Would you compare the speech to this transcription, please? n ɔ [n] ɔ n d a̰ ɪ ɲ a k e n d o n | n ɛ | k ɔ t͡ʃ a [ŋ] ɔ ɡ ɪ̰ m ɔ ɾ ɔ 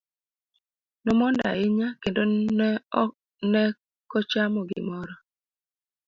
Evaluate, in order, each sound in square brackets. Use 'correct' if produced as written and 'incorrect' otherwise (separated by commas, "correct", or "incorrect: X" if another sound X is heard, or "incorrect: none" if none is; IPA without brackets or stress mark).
incorrect: m, incorrect: m